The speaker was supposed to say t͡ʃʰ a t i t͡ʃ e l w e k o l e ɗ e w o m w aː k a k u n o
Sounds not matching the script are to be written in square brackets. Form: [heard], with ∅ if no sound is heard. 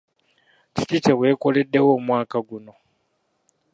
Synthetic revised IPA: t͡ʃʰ [i] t i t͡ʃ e [∅] w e k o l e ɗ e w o m w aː k a [ɡ] u n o